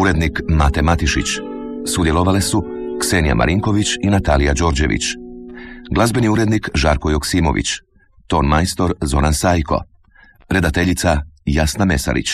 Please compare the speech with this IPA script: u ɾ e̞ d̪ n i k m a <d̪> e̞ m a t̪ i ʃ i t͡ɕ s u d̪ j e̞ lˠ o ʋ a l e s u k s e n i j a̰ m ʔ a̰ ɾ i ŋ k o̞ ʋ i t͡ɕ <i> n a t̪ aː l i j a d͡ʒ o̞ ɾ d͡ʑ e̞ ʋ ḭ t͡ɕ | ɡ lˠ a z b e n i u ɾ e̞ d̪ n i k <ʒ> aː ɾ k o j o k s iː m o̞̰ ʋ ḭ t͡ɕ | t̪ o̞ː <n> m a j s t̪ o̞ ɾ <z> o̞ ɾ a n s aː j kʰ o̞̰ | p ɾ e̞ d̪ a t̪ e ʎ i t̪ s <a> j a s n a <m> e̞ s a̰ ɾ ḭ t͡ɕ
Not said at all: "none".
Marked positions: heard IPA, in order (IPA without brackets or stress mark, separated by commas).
t̪, i, ʒ, n, z, a, m